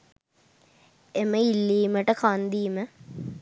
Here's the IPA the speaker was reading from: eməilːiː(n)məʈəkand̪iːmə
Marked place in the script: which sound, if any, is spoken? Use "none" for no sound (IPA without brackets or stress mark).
none